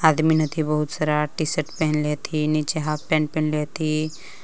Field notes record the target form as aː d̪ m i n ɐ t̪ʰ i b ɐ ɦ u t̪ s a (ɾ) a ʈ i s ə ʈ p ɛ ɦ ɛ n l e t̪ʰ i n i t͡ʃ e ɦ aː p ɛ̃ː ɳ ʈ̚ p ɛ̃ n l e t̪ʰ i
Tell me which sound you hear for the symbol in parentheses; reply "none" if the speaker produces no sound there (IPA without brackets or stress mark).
ɾ